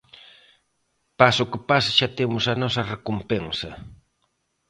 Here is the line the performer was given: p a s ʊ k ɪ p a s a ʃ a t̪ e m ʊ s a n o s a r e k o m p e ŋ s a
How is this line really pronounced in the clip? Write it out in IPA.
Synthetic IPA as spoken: p a s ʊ k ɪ p a s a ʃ a t̪ e m ʊ s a n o s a r e k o m p e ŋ s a